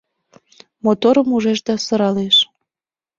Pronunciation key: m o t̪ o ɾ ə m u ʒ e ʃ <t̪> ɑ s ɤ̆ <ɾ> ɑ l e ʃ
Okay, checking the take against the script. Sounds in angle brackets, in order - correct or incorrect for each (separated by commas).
incorrect, correct